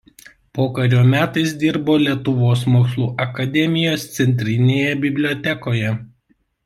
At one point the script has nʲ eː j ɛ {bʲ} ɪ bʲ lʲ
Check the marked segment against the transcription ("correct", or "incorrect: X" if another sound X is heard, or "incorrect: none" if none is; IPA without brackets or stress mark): correct